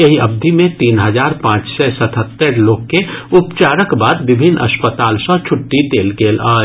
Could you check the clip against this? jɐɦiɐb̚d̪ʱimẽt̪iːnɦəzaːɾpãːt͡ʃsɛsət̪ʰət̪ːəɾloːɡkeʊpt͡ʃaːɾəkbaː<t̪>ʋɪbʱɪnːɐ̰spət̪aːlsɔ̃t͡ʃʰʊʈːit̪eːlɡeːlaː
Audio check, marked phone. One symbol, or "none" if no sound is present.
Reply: d̪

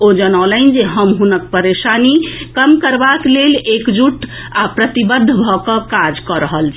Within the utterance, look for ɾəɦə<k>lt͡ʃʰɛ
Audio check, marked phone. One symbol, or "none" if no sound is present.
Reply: none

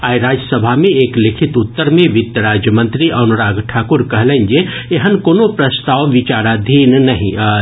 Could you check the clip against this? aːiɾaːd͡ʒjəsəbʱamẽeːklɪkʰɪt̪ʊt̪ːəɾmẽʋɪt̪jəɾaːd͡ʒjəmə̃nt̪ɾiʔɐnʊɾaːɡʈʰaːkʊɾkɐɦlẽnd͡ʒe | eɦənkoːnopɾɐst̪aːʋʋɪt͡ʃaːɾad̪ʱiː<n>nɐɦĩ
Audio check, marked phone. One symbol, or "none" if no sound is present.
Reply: n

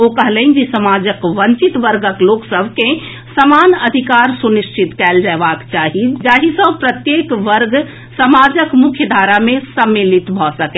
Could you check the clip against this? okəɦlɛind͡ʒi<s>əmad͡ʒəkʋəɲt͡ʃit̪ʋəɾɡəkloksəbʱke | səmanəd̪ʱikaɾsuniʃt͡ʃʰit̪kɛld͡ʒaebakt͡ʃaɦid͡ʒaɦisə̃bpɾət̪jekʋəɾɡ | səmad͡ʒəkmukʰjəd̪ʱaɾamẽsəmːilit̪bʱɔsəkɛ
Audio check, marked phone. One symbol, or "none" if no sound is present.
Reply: s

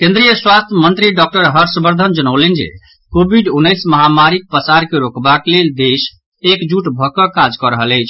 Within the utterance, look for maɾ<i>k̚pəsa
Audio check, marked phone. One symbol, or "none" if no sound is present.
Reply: i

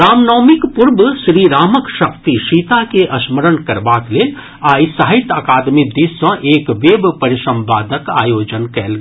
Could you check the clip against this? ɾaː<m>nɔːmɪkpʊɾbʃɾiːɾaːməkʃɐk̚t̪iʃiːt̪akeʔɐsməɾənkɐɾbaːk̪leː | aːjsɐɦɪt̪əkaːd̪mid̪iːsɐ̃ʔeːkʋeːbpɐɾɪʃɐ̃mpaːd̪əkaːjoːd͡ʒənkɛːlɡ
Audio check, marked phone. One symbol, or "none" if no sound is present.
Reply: m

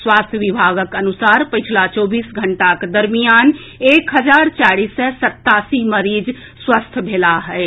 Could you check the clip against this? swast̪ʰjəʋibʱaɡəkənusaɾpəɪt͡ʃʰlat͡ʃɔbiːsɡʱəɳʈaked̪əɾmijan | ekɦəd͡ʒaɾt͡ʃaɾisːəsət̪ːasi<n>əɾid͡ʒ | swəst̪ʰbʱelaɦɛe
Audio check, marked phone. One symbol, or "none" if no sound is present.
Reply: m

